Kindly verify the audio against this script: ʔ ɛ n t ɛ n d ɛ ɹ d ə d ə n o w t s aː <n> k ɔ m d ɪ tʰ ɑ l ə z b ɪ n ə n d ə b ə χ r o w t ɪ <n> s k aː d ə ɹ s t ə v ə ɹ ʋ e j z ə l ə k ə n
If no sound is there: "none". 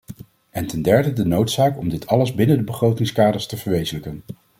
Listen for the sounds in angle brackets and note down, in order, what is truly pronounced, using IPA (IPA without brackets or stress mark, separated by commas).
none, ŋ